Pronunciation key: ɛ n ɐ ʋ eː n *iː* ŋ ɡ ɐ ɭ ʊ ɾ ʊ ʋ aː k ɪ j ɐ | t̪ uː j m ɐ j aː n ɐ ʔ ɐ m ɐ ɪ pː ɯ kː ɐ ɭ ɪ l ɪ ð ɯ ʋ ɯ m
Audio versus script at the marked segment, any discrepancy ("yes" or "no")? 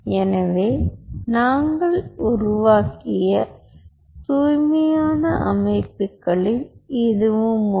yes